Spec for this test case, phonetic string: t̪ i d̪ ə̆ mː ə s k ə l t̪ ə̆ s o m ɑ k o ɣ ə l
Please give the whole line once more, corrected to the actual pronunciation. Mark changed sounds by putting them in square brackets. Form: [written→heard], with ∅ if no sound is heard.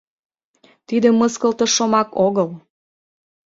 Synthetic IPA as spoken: t̪ i d̪ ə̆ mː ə s k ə l t̪ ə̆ [s→ʃ] o m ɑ k o ɣ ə l